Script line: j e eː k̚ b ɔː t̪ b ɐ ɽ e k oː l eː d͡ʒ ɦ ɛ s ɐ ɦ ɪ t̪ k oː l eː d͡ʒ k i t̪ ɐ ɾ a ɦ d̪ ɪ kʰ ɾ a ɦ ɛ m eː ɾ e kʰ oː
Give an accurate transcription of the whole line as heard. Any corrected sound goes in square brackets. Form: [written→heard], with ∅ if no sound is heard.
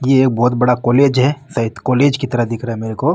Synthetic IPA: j e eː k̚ b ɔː t̪ b ɐ ɽ [e→a] k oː l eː d͡ʒ ɦ ɛ s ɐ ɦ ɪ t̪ k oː l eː d͡ʒ k i t̪ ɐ ɾ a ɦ d̪ ɪ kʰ ɾ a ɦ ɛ m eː ɾ e [kʰ→k] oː